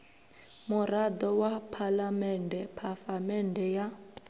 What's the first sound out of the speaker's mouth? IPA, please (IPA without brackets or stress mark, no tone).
m